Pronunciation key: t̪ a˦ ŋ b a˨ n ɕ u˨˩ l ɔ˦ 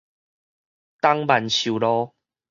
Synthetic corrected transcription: t̪ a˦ ŋ b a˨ n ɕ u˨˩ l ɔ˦